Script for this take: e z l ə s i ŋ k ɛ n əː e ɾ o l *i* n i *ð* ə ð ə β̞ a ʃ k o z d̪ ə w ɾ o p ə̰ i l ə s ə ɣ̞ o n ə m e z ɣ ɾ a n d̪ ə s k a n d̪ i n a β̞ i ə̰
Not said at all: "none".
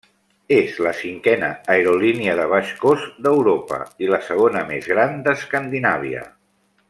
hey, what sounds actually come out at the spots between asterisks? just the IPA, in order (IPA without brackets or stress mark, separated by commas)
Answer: i, none